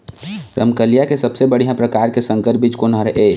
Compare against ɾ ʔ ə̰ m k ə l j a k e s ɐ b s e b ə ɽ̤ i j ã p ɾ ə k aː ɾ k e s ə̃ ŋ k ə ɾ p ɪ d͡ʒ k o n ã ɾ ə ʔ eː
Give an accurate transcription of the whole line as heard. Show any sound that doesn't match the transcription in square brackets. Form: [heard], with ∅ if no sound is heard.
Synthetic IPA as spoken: ɾ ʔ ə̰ m k ə l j a k e s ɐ b s e b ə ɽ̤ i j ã p ɾ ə k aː ɾ k e s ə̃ ŋ k ə ɾ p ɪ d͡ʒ k o n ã ɾ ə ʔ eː